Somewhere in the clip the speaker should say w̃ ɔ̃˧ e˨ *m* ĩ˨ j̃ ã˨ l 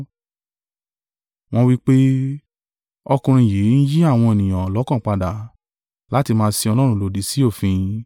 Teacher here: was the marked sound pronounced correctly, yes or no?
no